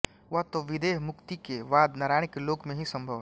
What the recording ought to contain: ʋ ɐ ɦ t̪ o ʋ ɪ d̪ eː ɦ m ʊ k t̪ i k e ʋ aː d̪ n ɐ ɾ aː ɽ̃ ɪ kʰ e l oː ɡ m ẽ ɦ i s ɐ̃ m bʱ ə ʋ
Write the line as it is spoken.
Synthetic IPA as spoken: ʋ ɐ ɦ t̪ o ʋ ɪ d̪ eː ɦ m ʊ k t̪ i k e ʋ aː d̪ n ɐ ɾ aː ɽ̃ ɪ k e l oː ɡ m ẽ ɦ i s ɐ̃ m bʱ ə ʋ